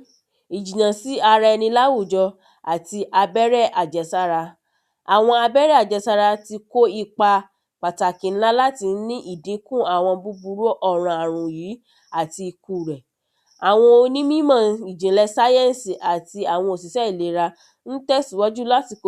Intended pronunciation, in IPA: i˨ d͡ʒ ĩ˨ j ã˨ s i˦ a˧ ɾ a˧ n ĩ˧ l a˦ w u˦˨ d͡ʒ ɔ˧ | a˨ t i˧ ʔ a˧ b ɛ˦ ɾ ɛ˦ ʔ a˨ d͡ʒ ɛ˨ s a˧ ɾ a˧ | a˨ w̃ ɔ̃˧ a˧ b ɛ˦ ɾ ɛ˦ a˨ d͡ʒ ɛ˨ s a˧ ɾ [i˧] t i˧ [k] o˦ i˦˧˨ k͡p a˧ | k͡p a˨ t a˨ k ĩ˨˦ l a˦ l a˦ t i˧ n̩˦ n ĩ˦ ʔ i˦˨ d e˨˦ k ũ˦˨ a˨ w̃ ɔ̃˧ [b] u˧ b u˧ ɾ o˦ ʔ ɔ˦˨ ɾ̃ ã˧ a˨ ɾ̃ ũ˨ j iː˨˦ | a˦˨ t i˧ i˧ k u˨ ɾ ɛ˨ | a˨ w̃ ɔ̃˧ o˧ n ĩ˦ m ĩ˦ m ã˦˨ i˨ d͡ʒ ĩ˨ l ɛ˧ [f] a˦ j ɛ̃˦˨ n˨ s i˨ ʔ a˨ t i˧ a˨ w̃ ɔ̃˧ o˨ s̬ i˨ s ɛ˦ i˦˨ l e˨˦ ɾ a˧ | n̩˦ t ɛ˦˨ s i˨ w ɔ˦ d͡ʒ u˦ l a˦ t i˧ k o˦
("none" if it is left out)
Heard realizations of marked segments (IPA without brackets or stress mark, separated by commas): a˧, k, b, s